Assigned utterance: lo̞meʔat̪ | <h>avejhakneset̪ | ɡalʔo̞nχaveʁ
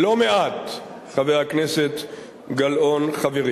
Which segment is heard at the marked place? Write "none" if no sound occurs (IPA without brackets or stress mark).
χ